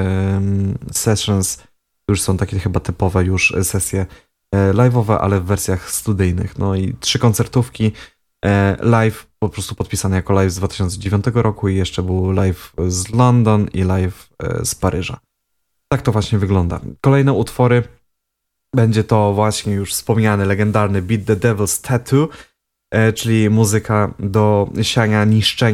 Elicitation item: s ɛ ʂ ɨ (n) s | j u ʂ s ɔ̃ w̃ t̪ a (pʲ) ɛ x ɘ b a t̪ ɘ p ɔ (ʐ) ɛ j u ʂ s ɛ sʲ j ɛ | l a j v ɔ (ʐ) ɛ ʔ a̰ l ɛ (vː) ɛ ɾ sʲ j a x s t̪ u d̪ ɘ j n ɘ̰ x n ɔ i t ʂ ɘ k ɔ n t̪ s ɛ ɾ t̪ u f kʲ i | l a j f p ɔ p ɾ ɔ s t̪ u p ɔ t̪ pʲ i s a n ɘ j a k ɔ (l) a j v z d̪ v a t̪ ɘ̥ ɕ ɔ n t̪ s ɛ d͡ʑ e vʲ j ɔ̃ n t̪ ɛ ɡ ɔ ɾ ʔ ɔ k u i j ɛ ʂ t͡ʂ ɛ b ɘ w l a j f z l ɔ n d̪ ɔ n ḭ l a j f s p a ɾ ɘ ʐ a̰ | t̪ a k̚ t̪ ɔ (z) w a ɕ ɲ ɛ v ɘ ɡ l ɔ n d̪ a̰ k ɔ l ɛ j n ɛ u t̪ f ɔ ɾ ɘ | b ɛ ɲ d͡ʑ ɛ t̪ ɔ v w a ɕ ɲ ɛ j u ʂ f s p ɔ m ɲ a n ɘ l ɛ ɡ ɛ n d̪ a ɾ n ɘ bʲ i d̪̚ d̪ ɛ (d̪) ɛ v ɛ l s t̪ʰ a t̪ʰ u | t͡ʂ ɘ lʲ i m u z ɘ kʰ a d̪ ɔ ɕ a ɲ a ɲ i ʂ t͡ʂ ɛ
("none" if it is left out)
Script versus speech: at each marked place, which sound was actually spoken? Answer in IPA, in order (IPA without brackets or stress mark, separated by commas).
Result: n, kʲ, v, v, vː, l, v, d̪